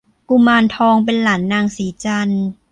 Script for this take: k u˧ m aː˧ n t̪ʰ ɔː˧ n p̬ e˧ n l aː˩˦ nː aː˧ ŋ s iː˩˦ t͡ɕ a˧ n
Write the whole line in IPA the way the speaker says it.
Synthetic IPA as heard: k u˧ m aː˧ n t̪ʰ ɔː˧ ŋ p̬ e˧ n l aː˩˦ nː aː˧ ŋ s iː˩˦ t͡ɕ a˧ n